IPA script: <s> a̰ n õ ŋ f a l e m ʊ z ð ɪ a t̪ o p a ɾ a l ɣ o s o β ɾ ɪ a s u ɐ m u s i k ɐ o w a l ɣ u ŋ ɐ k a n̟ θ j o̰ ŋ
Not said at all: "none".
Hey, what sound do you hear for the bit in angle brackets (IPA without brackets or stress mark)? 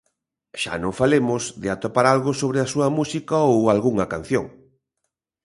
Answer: ʃ